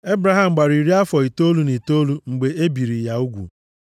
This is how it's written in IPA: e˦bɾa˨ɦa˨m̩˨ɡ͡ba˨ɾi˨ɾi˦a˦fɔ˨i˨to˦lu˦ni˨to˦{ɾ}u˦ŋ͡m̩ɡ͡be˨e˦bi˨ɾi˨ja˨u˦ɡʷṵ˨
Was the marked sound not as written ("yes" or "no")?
yes